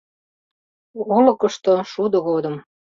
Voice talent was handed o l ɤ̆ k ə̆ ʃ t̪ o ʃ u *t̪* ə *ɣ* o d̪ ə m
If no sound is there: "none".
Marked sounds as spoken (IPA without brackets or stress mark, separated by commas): d̪, ɣ